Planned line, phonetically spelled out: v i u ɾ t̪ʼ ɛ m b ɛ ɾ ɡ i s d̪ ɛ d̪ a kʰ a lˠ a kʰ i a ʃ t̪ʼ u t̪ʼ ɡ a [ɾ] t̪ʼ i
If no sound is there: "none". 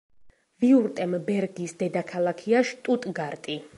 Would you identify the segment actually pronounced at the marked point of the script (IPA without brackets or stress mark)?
ɾ